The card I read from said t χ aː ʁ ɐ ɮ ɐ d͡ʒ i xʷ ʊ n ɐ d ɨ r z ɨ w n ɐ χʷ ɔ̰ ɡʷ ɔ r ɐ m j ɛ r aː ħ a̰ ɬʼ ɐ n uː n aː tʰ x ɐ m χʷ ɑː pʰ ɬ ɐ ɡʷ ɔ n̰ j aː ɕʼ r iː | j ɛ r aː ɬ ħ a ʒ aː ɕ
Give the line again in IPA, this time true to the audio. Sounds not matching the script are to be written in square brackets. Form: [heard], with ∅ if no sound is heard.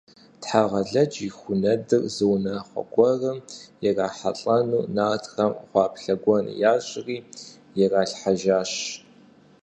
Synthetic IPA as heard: t [ħ] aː ʁ ɐ ɮ ɐ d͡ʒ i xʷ ʊ n ɐ d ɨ r z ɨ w n ɐ χʷ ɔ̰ ɡʷ ɔ r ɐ m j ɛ r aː ħ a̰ ɬʼ ɐ n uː n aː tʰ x ɐ m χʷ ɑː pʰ ɬ ɐ ɡʷ ɔ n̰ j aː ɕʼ r iː | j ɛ r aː ɬ ħ a ʒ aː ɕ